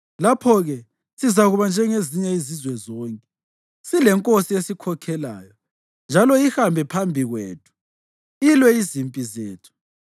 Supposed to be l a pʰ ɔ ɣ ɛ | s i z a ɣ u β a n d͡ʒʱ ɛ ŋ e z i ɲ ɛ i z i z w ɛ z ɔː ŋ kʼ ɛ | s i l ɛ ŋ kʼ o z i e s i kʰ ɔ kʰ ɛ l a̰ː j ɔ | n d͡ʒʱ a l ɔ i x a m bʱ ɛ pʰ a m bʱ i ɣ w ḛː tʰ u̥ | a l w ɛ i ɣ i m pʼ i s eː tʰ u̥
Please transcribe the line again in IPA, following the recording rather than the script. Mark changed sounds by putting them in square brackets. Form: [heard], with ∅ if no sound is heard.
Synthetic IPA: l a pʰ ɔ ɣ ɛ | s i z a ɣ u β a n d͡ʒʱ ɛ ŋ e z i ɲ ɛ i z i z w ɛ z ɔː ŋ kʼ ɛ | s i l ɛ ŋ kʼ o [s] i e s i kʰ ɔ kʰ ɛ l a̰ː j ɔ | n d͡ʒʱ a l ɔ i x a m bʱ ɛ pʰ a m bʱ i ɣ w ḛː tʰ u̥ | [i] l w ɛ i [z] i m pʼ i [z] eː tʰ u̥